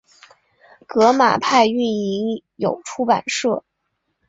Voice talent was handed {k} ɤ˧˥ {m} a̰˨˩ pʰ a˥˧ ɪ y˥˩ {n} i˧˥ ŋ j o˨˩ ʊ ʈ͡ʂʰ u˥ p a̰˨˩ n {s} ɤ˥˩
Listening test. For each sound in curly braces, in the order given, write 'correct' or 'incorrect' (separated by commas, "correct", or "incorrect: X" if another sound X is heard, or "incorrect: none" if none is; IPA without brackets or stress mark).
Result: correct, correct, correct, incorrect: ʂ